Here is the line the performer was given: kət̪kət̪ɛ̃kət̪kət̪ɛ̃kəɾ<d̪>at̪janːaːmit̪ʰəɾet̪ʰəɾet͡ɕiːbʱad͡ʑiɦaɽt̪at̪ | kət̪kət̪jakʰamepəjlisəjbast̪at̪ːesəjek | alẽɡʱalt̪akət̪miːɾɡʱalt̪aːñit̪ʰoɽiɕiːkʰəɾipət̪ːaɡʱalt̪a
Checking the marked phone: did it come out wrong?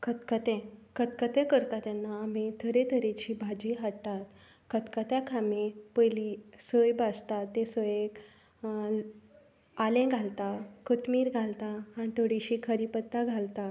yes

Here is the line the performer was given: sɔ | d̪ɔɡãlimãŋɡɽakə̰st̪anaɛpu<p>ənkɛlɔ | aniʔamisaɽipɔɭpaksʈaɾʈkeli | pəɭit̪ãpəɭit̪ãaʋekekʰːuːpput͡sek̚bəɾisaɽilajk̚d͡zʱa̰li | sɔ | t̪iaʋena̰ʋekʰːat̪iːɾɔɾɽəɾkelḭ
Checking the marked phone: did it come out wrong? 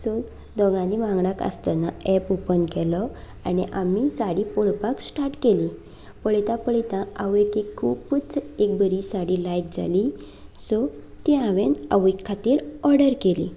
no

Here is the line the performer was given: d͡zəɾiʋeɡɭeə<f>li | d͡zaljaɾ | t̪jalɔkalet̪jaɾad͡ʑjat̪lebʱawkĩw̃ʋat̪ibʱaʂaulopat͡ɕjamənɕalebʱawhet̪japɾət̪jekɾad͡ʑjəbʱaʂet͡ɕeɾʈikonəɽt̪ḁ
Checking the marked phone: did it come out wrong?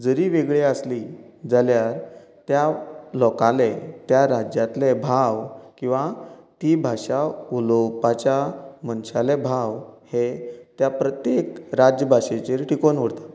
yes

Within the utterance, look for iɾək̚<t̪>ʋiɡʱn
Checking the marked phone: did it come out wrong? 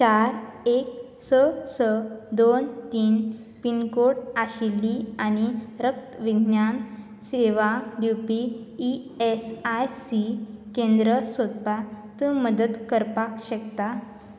no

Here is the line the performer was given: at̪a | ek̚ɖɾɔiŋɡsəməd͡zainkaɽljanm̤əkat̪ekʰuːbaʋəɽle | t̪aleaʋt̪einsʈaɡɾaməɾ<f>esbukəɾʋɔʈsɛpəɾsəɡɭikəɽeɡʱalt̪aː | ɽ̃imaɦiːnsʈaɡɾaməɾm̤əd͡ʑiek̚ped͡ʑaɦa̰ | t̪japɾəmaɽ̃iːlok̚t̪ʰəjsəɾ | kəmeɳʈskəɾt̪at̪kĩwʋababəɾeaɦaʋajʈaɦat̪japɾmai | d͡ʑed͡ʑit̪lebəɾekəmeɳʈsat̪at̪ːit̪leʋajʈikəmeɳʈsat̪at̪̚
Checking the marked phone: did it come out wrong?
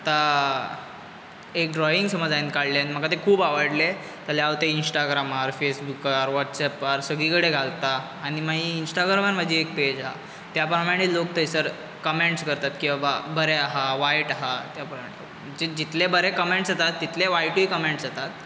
no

